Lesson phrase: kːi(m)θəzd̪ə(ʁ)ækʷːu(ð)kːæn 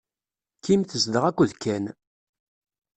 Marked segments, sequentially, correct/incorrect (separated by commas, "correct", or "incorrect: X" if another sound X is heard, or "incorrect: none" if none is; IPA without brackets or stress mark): correct, correct, correct